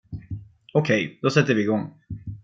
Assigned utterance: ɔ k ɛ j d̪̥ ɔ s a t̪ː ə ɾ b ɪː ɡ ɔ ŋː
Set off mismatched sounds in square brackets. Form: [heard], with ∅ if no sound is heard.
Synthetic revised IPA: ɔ [kʰ] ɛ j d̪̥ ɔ s [ɛ] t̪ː ə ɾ [v] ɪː ɡ ɔ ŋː